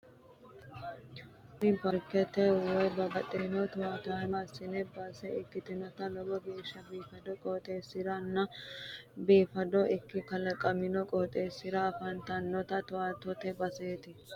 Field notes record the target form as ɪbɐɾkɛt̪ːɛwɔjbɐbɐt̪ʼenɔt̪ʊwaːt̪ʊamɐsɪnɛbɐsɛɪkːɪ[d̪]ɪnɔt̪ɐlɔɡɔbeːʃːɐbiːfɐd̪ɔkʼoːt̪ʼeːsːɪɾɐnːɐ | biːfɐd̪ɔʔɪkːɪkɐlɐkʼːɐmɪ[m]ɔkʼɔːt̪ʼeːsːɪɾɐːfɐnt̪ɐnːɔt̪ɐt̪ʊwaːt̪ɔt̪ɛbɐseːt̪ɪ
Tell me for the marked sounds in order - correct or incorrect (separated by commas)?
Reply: incorrect, incorrect